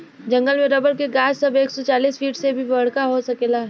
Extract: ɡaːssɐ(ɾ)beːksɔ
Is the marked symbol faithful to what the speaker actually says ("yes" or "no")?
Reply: no